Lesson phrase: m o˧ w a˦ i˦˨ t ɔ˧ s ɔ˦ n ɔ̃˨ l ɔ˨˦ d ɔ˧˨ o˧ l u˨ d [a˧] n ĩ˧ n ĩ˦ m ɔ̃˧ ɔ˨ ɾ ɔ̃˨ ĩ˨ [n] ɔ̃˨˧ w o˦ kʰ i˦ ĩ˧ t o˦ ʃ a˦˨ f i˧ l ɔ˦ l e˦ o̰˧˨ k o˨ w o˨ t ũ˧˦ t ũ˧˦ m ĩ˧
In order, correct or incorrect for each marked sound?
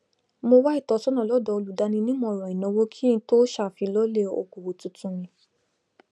correct, correct

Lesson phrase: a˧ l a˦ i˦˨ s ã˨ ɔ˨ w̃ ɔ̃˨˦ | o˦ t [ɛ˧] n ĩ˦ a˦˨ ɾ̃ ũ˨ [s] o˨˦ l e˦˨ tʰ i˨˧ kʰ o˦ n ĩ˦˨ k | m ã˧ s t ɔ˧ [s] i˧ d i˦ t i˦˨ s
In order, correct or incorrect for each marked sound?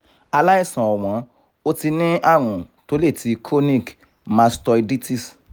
incorrect: i˧, incorrect: t, incorrect: none

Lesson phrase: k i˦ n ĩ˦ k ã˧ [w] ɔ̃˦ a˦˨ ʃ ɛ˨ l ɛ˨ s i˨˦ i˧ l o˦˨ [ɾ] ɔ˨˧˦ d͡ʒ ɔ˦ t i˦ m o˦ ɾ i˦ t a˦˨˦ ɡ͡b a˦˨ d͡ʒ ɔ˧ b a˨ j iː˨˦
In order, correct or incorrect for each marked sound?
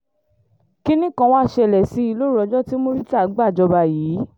correct, correct

